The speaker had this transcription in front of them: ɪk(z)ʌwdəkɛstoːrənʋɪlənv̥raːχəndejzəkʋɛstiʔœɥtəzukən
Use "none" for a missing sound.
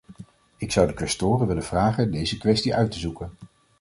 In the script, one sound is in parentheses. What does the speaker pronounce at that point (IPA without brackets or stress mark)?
s